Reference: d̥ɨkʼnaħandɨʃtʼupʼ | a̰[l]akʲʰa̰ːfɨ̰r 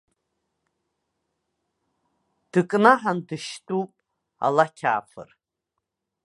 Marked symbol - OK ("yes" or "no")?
yes